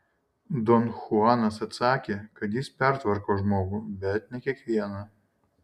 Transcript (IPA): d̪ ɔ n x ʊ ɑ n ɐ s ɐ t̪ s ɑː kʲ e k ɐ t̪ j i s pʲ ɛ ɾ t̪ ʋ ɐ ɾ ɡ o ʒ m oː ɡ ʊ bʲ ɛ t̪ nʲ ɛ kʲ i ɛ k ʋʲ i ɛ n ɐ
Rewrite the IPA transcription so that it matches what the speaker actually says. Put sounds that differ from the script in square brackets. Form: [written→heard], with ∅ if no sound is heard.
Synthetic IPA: d̪ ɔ n x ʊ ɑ n ɐ s ɐ t̪ s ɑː kʲ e k ɐ t̪ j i s pʲ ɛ ɾ t̪ ʋ ɐ ɾ [ɡ→k] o ʒ m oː ɡ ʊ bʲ ɛ t̪ nʲ ɛ kʲ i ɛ k ʋʲ i ɛ n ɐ

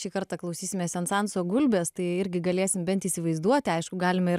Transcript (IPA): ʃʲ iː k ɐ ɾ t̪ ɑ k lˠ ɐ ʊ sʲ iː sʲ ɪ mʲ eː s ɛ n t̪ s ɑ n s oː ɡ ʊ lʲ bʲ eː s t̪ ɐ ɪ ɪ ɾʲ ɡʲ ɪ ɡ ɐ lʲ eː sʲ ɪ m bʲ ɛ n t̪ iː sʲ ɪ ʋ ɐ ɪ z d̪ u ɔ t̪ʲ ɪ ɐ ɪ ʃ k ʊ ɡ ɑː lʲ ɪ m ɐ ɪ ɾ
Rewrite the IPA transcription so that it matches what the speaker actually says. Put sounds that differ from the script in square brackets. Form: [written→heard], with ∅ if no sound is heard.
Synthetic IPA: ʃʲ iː k ɐ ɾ t̪ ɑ k lˠ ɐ ʊ sʲ iː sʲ ɪ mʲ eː s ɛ n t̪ s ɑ n s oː ɡ ʊ lʲ bʲ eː s t̪ ɐ ɪ ɪ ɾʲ ɡʲ ɪ ɡ ɐ lʲ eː sʲ ɪ m bʲ ɛ n t̪ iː sʲ ɪ ʋ ɐ ɪ z d̪ u ɔ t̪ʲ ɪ ɐ ɪ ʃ k ʊ ɡ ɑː lʲ ɪ m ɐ ɪ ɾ

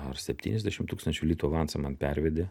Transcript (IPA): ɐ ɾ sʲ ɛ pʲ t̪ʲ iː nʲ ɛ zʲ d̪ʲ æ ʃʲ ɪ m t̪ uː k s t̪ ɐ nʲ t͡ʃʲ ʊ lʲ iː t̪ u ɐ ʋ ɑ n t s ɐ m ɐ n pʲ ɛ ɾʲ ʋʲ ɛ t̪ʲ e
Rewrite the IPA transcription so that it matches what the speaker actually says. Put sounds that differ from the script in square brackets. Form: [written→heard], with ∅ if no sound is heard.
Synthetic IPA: ɐ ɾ sʲ ɛ pʲ t̪ʲ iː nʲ ɛ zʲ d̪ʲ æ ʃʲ ɪ m t̪ uː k s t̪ ɐ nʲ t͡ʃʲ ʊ lʲ iː t̪ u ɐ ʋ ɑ n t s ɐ m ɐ n pʲ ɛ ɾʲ ʋʲ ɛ [t̪ʲ→d̪ʲ] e

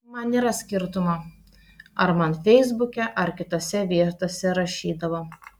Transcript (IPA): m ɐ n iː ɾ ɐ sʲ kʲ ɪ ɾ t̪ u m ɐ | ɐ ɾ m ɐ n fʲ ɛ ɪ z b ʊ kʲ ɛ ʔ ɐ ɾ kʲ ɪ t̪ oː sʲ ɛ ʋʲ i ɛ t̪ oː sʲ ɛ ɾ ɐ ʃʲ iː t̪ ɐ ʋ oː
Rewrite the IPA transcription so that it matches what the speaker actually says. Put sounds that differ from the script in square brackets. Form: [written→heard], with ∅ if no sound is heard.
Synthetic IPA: m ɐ n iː ɾ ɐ sʲ kʲ ɪ ɾ t̪ [u→ʊ] m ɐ | ɐ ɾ m ɐ n fʲ ɛ ɪ z b ʊ kʲ ɛ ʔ ɐ ɾ kʲ ɪ t̪ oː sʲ ɛ ʋʲ i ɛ t̪ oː sʲ ɛ ɾ ɐ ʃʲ iː [t̪→d̪] ɐ ʋ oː

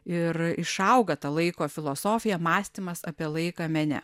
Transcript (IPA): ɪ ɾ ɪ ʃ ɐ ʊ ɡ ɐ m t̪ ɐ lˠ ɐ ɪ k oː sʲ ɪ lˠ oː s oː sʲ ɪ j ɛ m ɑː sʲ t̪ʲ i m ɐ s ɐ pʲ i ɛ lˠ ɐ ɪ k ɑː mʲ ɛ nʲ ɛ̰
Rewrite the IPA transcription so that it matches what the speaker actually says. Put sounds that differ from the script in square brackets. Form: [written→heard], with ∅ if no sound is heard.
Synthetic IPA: ɪ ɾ ɪ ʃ ɐ ʊ ɡ ɐ [m→∅] t̪ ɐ lˠ ɐ ɪ k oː [sʲ→fʲ] ɪ lˠ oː s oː [sʲ→fʲ] ɪ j ɛ m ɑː sʲ t̪ʲ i m ɐ s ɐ pʲ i ɛ lˠ ɐ ɪ k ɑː mʲ ɛ nʲ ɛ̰

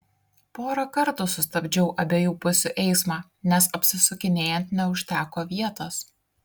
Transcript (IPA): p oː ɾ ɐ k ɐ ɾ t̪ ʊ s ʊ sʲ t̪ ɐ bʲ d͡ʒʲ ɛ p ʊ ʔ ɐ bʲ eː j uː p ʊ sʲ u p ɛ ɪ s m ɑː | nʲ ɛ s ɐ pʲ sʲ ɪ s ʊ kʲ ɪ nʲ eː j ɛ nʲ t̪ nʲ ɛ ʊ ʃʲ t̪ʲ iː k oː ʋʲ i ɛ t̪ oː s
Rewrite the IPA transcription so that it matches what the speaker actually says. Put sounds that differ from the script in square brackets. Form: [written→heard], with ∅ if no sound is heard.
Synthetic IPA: p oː ɾ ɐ k ɐ ɾ t̪ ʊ s ʊ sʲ t̪ ɐ bʲ d͡ʒʲ ɛ [p→∅] ʊ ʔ ɐ bʲ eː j uː p ʊ sʲ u [p→ʔ] ɛ ɪ s m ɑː | nʲ ɛ s ɐ pʲ sʲ ɪ s ʊ kʲ ɪ nʲ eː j ɛ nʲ t̪ nʲ ɛ ʊ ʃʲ t̪ʲ [iː→æː] k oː ʋʲ i ɛ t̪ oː s

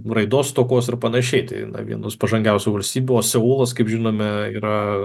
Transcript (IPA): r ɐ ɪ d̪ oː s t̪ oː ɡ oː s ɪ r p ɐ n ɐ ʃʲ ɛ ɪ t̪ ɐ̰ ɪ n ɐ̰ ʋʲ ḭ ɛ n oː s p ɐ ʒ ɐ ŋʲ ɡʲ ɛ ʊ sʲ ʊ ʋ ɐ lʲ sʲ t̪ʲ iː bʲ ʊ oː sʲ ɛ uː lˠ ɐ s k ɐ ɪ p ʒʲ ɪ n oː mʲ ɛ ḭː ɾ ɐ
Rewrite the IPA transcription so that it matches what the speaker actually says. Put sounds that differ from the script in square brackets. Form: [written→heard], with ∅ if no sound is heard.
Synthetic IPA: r ɐ ɪ d̪ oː s t̪ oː [ɡ→k] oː s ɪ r p ɐ n ɐ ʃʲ ɛ ɪ t̪ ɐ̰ ɪ n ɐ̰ ʋʲ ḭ ɛ n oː s p ɐ ʒ ɐ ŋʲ ɡʲ ɛ ʊ sʲ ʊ ʋ ɐ lʲ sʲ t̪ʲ iː bʲ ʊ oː sʲ ɛ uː lˠ ɐ s k ɐ ɪ p ʒʲ ɪ n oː mʲ ɛ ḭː ɾ ɐ

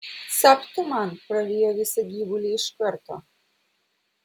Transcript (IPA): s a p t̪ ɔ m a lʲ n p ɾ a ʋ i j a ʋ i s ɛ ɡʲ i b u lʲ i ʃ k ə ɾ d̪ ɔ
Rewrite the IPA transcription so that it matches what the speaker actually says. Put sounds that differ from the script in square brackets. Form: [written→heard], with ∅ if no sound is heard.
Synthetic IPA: s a p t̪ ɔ m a [lʲ→∅] n p ɾ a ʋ i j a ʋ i s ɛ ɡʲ i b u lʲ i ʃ k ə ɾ [d̪→t̪] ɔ

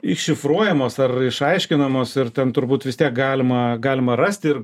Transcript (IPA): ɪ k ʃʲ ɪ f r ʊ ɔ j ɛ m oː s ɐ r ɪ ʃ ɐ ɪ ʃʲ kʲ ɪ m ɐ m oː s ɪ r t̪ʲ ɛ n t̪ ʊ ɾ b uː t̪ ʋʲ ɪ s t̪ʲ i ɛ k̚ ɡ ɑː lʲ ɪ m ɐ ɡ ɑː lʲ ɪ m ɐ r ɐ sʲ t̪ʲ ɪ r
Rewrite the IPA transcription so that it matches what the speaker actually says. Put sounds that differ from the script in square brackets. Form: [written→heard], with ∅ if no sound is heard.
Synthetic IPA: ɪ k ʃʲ ɪ f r [ʊ→u] ɔ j ɛ m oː s ɐ r ɪ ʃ ɐ ɪ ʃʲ kʲ ɪ [m→n] ɐ m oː s ɪ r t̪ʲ ɛ n t̪ ʊ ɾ b uː t̪ ʋʲ ɪ s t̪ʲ i ɛ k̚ ɡ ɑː lʲ ɪ m ɐ ɡ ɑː lʲ ɪ m ɐ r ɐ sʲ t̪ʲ ɪ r

